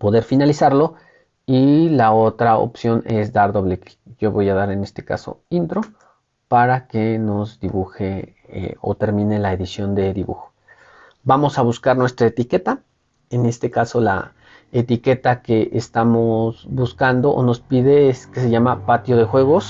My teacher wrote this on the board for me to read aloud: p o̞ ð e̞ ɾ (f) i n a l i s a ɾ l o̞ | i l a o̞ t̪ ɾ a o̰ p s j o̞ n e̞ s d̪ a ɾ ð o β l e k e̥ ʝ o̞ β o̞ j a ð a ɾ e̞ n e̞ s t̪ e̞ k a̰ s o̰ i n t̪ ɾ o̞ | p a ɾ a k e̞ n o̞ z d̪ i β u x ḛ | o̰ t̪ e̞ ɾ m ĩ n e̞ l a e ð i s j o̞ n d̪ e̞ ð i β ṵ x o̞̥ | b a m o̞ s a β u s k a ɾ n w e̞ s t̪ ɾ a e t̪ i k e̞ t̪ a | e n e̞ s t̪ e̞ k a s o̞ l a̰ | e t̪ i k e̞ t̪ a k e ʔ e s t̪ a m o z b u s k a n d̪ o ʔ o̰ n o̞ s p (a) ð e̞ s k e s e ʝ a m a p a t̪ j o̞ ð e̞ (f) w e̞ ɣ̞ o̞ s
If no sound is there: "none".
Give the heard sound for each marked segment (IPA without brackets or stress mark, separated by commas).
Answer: f, i, x